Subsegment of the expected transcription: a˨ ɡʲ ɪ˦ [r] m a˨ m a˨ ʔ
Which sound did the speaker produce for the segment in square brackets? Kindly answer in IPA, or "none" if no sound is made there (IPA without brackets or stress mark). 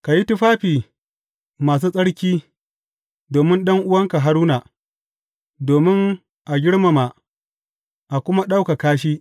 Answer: ɽ